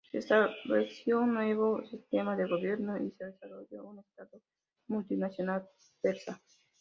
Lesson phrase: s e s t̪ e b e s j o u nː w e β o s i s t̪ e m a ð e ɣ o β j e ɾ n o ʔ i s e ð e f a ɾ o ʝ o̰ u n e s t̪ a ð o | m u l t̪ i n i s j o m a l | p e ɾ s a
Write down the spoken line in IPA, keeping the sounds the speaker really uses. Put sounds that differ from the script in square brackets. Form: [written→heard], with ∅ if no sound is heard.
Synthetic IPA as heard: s e s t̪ [e→a] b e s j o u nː w e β o s i s t̪ e m a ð e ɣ o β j e ɾ n o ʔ i s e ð e [f→s] a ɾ o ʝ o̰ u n e s t̪ a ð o | m u l t̪ i n [i→a] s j o [m→n] a l | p e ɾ s a